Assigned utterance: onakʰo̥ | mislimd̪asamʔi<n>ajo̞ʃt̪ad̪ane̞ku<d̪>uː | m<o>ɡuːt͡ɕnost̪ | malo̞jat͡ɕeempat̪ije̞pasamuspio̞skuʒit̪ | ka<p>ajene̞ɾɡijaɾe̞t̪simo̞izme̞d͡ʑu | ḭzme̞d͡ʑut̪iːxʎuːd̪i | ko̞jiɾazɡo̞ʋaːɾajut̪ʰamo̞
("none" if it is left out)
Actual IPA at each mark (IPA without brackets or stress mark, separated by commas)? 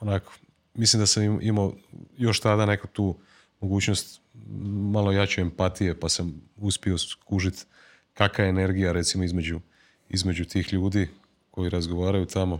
m, t̪, o, k